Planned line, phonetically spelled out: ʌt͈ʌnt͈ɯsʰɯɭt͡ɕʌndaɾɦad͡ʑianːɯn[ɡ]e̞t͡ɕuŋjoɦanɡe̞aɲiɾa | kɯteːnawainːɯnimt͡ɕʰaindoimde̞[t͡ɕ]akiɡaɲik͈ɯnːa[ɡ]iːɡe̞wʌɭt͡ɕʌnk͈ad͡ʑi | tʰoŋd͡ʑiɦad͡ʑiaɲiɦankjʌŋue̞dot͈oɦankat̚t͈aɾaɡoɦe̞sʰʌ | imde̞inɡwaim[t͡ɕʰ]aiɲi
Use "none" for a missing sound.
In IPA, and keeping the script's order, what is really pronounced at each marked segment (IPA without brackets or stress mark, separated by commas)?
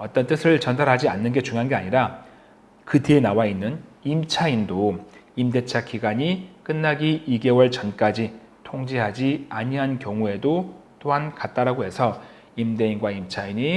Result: ɡ, t͡ɕʰ, ɡ, t͡ɕʰ